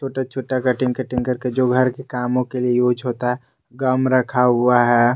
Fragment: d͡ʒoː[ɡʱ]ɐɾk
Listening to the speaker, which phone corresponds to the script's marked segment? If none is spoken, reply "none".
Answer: ɡʱ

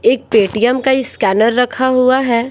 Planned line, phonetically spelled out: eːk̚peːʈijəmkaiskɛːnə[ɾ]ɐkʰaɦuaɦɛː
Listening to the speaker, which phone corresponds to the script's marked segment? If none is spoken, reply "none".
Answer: ɾː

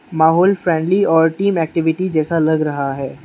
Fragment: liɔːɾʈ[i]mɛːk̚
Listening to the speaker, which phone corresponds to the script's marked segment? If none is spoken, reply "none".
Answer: iː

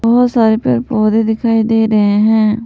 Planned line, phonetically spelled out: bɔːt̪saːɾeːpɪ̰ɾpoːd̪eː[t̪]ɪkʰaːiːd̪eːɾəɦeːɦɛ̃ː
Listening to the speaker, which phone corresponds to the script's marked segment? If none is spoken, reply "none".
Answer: d̪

